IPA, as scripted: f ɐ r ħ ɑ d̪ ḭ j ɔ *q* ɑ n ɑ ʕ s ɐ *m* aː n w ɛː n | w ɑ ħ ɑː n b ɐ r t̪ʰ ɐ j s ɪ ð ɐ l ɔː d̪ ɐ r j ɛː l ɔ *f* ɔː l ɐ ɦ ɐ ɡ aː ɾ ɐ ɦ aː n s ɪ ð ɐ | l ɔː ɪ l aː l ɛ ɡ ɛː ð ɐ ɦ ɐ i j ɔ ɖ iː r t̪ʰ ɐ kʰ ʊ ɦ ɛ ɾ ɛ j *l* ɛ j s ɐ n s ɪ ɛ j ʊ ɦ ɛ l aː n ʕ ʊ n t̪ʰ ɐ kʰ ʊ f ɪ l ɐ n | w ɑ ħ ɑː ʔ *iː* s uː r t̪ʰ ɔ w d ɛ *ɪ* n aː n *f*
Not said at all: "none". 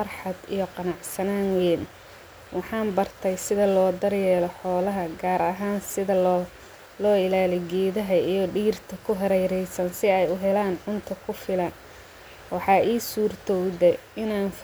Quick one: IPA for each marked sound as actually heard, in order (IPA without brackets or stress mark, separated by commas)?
q, n, ħ, ɾ, iː, ɪ, f